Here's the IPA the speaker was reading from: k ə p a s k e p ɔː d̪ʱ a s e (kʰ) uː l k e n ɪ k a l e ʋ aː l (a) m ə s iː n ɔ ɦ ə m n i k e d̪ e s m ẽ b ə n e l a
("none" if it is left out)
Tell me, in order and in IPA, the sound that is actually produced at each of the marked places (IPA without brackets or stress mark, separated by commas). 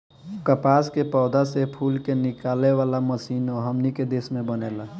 pʰ, a